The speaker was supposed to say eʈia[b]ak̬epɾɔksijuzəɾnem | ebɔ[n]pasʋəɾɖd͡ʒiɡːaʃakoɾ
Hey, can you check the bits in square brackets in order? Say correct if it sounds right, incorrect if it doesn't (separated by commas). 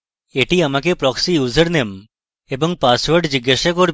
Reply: incorrect, incorrect